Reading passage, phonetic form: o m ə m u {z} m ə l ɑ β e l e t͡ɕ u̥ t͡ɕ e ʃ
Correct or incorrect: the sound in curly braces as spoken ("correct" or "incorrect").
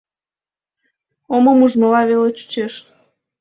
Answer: incorrect